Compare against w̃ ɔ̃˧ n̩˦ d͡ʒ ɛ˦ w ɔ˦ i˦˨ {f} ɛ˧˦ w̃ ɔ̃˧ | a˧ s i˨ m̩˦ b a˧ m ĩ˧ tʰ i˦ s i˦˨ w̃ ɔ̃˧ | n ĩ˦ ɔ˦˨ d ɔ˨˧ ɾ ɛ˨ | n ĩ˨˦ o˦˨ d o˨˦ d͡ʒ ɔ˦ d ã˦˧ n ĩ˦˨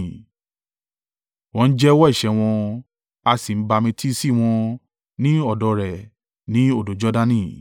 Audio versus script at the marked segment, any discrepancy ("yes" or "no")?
yes